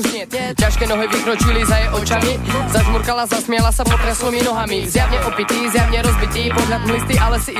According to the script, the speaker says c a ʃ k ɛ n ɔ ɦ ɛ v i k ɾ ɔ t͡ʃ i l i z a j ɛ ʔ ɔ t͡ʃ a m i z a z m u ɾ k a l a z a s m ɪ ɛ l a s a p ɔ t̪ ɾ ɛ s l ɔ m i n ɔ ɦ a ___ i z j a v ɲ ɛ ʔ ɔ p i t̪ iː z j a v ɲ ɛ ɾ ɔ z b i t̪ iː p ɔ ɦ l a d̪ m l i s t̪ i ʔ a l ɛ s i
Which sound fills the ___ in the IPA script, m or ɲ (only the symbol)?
m